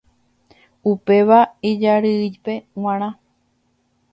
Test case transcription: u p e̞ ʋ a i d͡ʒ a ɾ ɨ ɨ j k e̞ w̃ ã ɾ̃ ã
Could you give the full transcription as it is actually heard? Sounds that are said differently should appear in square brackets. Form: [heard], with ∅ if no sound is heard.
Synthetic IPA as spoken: u p e̞ ʋ a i d͡ʒ a ɾ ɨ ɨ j [p] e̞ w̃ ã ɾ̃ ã